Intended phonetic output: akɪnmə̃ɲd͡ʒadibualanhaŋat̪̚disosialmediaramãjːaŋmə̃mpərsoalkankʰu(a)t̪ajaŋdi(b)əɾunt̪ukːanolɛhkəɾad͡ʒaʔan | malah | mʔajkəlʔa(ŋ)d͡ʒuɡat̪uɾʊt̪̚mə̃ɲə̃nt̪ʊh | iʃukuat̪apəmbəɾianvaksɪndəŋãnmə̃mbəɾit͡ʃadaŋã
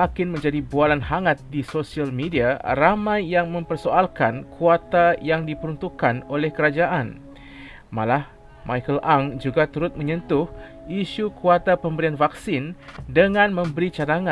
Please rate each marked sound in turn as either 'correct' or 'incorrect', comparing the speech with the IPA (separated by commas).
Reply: correct, incorrect, correct